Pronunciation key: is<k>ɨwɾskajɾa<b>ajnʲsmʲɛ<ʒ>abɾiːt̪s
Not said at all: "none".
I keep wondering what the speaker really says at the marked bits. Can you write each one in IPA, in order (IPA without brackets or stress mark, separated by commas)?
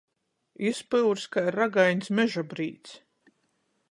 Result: p, ɡ, ʒ